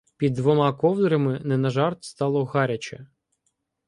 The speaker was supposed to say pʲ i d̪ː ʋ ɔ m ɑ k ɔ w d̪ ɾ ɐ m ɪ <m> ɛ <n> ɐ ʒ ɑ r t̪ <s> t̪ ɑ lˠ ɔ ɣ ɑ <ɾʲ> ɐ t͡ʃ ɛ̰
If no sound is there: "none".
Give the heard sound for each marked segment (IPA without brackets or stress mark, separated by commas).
n, n, s, ɾʲ